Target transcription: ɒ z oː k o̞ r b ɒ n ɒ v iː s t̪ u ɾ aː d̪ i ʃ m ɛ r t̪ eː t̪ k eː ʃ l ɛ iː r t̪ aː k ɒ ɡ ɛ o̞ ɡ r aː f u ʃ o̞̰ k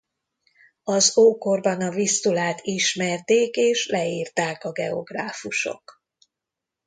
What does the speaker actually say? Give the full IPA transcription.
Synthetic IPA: ɒ z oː k o̞ r b ɒ n ɒ v i s t̪ u l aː t̪ i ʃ m ɛ r t̪ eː k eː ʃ l ɛ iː r t̪ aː k ɒ ɡ ɛ o̞ ɡ r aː f u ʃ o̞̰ k